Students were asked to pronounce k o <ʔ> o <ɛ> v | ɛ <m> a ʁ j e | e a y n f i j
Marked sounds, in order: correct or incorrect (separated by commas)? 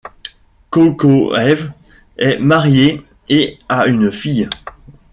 incorrect, correct, correct